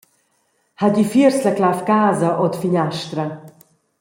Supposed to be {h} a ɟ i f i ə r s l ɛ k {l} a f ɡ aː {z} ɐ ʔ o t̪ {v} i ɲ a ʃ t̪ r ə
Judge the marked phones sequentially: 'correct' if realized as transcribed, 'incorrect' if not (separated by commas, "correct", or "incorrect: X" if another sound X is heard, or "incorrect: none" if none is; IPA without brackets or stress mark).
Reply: correct, correct, correct, incorrect: f